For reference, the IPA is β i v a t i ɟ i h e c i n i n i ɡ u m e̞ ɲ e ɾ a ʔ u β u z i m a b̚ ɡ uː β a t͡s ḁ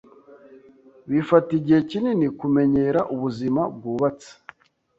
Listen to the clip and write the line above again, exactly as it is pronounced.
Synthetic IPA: β i f a t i ɟ i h e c i n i n i k u m e̞ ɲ e ɾ a ʔ u β u z i m a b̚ ɡ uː β a t͡s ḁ